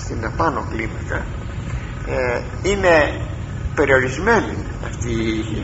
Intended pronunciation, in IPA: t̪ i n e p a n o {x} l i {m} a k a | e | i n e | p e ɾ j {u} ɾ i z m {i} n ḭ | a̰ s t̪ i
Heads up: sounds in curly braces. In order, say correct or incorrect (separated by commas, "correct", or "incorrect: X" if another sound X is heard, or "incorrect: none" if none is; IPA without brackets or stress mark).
incorrect: k, correct, incorrect: o, incorrect: e